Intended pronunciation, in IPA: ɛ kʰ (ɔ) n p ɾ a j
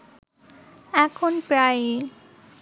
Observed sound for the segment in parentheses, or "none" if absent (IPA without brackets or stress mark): o